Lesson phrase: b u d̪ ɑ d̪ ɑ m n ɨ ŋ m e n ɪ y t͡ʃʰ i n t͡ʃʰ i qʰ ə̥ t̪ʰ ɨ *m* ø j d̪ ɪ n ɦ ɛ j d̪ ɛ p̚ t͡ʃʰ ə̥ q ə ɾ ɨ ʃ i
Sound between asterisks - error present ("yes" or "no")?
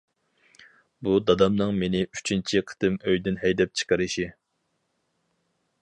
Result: no